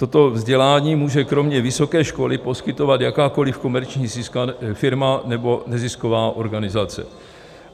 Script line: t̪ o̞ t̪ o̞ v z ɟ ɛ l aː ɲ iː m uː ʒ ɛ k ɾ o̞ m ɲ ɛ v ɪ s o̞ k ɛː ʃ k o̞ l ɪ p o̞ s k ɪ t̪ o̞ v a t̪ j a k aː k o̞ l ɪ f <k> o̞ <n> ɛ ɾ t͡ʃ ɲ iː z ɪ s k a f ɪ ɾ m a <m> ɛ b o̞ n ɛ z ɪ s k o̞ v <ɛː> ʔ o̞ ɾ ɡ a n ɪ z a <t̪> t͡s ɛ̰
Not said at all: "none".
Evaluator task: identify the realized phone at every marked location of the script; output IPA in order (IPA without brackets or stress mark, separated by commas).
k, m, n, aː, none